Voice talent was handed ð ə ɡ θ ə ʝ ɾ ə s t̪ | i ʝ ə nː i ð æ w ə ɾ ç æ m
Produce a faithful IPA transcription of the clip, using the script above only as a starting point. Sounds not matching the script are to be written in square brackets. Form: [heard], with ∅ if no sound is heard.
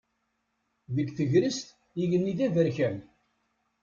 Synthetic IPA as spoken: ð ə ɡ θ ə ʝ ɾ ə s t̪ | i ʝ ə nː i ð æ [v] ə ɾ ç æ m

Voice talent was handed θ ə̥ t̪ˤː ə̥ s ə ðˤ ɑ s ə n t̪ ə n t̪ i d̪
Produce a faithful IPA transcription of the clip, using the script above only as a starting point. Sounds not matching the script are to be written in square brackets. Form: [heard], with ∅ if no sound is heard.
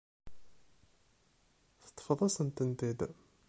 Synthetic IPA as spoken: θ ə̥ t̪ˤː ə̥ [f] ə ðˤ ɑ s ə n t̪ ə n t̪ i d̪

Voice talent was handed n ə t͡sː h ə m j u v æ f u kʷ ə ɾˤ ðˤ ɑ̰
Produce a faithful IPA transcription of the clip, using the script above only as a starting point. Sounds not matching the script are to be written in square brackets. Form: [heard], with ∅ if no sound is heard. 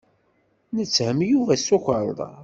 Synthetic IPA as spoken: n ə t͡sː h ə m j u v æ [s] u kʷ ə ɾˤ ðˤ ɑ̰

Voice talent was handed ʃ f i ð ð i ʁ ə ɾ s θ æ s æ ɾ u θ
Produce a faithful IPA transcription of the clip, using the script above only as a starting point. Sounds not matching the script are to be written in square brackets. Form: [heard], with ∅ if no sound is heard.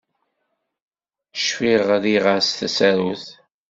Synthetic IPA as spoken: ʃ f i [ʁ] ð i ʁ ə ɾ s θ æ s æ ɾ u θ

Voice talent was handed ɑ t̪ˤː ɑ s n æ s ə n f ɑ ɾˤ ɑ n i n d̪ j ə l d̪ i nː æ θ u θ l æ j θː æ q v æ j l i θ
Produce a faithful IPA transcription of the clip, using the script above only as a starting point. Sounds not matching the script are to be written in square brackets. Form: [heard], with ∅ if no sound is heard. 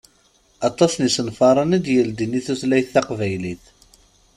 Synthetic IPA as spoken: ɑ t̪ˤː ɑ s n [i] s ə n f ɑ ɾˤ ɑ n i [∅] d̪ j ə l d̪ i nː [i] θ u θ l æ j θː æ q v æ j l i θ

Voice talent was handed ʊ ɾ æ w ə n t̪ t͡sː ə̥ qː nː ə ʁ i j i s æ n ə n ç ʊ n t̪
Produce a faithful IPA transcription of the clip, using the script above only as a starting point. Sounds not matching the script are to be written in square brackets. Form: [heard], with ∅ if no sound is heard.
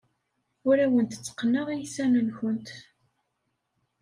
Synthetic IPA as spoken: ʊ ɾ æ w ə n t̪ t͡sː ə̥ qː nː ə ʁ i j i s æ n ə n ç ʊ n t̪

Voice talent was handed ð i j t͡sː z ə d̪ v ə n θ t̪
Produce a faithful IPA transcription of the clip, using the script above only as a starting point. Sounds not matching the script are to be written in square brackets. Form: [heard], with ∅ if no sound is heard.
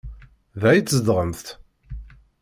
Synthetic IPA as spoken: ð [æ] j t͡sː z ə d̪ [ʁ] ə [m] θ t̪

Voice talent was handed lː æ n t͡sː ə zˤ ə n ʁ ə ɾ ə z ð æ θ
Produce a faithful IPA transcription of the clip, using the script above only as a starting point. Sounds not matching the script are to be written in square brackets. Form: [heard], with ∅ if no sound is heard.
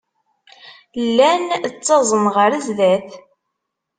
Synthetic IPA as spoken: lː æ n t͡sː [ɑ] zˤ ə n ʁ ə ɾ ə z ð æ θ

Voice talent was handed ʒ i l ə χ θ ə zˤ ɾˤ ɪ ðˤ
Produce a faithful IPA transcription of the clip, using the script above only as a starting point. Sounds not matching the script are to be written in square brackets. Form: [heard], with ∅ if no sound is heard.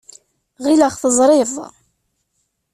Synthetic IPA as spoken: [ʁ] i l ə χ θ ə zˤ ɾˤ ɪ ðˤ

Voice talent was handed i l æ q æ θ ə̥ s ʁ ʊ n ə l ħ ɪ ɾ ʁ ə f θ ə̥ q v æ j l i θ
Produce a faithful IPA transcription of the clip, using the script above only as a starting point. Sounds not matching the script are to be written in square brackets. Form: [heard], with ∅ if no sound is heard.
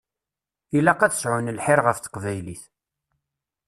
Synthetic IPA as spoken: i l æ q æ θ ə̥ s [ʕ] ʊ n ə l ħ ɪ ɾ ʁ ə f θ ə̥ q v æ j l i θ

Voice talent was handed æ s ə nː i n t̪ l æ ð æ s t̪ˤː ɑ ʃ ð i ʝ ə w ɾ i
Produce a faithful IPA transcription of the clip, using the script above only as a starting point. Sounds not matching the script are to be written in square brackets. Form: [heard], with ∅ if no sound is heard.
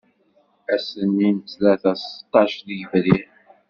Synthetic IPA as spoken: æ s ə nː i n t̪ l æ [θ] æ s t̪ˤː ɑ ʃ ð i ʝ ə [v] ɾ i

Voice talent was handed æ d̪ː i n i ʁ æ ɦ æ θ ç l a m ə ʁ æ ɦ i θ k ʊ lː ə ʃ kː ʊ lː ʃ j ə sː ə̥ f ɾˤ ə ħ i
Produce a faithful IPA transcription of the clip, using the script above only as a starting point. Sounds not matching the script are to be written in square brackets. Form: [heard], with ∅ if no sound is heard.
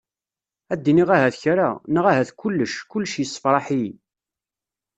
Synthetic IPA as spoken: æ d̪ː i n i ʁ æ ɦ æ θ ç [ɾ] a [n] ə ʁ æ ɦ [æ] θ k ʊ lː ə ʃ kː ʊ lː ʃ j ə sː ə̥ f ɾˤ [ɑ] ħ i

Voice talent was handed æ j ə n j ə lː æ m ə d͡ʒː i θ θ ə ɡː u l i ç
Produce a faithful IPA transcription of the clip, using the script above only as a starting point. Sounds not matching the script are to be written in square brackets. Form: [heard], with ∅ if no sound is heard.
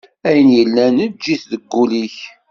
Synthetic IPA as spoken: æ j ə n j ə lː æ [n] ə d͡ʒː i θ [ð] ə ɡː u l i ç

